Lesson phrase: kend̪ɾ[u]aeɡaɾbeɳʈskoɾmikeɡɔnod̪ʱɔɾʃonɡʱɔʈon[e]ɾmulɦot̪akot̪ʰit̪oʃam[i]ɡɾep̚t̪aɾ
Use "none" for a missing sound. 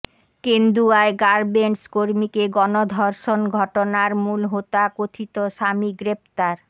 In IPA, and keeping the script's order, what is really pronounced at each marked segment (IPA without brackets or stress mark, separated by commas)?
u, a, i